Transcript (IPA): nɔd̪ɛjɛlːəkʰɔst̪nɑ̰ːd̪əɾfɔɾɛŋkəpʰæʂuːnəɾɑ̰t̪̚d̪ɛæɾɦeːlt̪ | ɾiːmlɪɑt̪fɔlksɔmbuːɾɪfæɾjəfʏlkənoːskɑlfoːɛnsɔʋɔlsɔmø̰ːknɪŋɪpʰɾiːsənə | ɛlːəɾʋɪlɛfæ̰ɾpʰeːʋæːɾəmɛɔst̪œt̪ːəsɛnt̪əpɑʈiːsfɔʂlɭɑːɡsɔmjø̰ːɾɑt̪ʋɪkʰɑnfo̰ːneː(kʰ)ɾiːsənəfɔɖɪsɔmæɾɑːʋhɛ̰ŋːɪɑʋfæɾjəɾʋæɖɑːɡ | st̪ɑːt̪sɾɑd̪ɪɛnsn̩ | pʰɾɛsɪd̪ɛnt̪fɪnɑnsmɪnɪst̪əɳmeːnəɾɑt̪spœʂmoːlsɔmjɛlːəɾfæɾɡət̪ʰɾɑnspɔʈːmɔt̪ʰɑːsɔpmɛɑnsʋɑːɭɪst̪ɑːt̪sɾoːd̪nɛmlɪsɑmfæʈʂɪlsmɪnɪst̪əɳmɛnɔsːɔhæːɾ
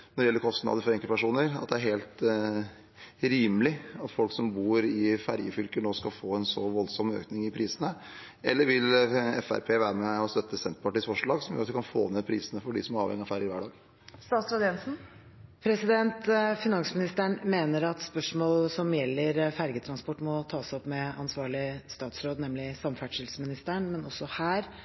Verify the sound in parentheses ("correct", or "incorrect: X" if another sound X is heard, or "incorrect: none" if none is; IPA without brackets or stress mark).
incorrect: pʰ